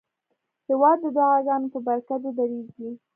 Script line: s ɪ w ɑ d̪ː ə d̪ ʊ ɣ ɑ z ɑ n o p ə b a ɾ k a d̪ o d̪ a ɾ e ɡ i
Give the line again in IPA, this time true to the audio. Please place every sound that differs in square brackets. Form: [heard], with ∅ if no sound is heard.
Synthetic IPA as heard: [h] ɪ w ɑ d̪ː ə d̪ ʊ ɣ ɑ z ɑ n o p ə b a ɾ k a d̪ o d̪ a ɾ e ɡ i